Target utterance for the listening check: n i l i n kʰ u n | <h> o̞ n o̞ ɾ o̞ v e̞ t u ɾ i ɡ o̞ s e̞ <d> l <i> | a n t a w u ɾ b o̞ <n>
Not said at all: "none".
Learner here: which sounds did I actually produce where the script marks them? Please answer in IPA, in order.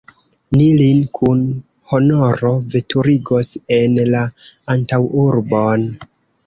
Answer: h, n, a, n

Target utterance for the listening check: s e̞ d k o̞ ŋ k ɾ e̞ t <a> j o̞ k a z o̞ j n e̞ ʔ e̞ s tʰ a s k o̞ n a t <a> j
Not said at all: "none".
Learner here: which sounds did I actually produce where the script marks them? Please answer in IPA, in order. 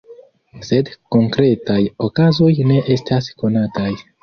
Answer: a, a

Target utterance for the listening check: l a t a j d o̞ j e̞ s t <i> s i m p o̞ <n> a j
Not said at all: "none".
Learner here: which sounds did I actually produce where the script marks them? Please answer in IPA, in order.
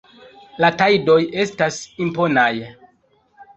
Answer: a, n

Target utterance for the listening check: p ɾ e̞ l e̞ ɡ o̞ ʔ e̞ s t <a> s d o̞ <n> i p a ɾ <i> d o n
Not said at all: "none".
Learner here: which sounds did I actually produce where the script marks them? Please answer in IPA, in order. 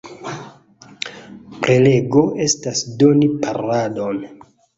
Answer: a, n, a

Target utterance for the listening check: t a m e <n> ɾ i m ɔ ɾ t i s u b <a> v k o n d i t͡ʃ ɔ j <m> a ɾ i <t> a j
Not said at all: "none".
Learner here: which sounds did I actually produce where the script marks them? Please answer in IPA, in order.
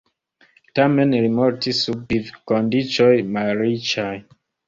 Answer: n, i, m, t͡ʃ

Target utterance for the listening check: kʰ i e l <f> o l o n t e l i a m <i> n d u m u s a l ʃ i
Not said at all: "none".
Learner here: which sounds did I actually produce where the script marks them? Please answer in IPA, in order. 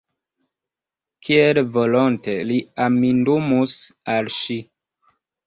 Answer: v, i

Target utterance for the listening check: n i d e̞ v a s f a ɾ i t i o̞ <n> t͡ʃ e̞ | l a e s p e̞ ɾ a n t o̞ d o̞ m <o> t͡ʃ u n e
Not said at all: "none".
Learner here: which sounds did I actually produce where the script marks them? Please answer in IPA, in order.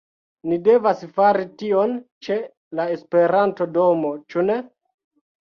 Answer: n, o

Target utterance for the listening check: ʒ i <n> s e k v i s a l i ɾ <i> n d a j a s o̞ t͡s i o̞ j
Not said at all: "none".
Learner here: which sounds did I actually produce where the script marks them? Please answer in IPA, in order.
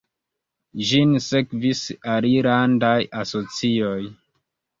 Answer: n, a

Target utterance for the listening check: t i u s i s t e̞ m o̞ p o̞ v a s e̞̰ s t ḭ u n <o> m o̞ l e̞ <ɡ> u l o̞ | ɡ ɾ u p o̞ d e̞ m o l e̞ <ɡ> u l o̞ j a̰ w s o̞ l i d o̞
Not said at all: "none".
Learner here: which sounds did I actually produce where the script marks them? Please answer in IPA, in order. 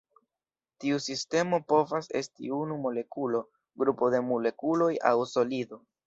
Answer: u, k, k

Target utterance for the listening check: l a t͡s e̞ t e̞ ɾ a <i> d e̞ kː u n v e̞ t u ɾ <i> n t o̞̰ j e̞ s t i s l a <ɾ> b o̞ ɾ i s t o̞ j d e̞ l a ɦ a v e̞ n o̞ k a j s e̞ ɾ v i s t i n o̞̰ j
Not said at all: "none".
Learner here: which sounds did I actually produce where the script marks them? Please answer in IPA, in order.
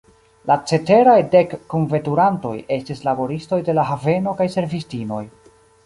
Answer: j, a, none

